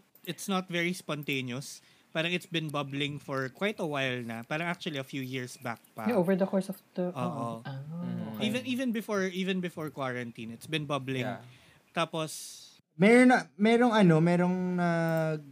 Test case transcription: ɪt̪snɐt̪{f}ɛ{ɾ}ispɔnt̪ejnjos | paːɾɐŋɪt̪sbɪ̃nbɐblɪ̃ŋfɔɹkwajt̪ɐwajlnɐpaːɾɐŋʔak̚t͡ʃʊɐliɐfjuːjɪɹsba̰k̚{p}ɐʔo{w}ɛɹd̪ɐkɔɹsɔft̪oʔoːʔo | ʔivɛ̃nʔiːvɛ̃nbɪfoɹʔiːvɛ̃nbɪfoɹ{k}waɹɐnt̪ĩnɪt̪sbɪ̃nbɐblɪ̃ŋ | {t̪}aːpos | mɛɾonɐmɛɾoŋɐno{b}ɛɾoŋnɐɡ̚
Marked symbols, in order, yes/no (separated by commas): no, no, yes, no, yes, yes, no